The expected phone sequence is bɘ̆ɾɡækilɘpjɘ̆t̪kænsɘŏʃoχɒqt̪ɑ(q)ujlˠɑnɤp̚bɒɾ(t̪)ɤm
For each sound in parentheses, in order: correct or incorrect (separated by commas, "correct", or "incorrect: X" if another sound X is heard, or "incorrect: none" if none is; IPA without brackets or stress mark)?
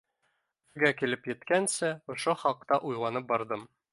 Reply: incorrect: ʔ, incorrect: d̪